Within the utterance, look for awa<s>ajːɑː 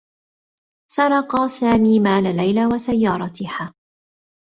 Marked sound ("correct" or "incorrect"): correct